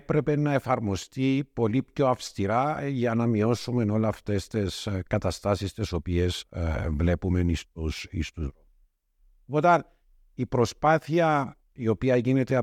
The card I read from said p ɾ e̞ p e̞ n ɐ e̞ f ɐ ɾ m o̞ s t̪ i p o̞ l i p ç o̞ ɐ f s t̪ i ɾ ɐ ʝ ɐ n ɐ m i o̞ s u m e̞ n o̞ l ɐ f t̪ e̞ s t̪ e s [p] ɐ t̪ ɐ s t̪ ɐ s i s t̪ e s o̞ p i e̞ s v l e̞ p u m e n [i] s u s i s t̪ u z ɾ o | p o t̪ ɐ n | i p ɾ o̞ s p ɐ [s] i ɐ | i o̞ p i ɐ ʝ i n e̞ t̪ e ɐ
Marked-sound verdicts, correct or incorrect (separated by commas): incorrect, correct, incorrect